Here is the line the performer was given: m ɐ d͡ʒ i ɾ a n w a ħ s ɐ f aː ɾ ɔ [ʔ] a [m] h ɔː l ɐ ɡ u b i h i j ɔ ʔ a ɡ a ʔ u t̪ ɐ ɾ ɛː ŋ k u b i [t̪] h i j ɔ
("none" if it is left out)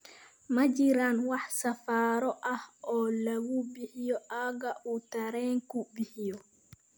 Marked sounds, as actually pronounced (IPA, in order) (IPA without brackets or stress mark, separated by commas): ʔ, none, none